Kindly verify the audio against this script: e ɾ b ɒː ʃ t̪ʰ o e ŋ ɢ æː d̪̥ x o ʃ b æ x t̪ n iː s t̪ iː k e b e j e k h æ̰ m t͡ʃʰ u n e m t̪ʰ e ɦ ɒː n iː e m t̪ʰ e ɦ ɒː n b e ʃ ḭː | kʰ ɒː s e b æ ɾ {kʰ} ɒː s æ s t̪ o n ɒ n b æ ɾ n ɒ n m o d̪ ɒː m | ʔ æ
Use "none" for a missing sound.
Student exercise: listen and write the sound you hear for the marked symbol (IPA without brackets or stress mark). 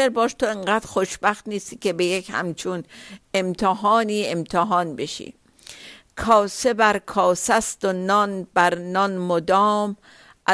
kʰ